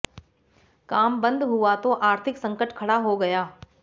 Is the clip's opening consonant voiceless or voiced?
voiceless